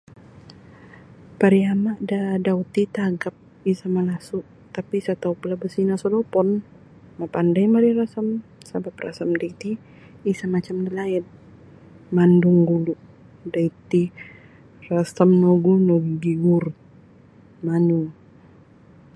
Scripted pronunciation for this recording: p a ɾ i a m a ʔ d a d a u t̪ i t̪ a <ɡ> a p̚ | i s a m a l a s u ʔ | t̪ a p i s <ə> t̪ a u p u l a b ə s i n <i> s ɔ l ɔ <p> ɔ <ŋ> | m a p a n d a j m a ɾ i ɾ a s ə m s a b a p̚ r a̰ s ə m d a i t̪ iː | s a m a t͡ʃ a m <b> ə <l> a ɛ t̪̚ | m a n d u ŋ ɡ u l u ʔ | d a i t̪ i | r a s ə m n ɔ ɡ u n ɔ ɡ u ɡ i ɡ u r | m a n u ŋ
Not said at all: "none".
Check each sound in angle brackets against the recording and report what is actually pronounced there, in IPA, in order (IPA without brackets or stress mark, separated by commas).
ɡ, a, a, p, n, d, l